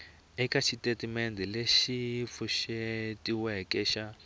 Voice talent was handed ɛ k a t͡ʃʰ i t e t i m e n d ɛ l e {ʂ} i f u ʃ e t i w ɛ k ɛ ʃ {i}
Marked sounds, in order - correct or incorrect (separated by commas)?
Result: incorrect, incorrect